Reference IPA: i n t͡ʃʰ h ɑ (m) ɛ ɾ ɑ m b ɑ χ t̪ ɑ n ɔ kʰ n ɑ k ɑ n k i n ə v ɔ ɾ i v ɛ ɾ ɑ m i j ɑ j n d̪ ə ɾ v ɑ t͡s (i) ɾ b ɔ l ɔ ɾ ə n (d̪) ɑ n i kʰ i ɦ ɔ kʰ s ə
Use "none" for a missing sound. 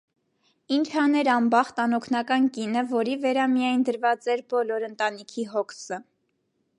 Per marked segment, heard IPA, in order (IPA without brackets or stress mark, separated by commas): n, ɛ, t̪